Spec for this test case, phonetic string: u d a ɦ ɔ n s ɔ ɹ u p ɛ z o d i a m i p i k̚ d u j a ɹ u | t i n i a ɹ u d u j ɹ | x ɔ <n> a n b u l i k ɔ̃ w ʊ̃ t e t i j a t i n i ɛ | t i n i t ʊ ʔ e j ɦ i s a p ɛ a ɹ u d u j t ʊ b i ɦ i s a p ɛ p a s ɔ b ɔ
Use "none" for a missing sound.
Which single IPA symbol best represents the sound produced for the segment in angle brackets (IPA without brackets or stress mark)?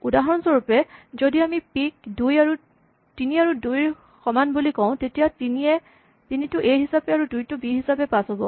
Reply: m